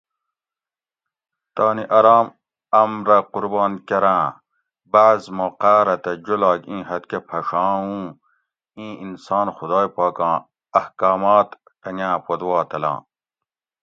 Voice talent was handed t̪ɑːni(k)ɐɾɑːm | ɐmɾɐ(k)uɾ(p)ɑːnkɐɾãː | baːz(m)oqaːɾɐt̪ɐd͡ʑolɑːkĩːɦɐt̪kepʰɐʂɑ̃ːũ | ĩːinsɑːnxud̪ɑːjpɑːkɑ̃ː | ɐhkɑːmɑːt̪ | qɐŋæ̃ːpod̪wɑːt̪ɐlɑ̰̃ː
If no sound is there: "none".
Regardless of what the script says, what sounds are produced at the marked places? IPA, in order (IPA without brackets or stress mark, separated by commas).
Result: ʔ, q, b, m